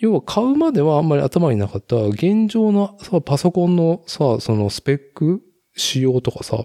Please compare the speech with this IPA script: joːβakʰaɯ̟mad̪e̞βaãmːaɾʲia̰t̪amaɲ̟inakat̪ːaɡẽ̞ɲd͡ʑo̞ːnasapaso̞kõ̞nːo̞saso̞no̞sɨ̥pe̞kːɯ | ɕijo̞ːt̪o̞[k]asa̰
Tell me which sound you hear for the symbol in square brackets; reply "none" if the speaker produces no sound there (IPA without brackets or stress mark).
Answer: k